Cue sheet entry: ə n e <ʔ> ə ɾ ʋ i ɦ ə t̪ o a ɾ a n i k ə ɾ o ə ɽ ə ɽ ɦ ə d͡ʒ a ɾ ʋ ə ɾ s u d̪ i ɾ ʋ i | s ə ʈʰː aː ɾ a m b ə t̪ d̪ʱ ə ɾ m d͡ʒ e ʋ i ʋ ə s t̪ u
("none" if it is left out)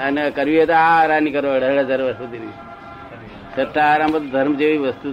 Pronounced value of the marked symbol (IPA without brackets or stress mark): k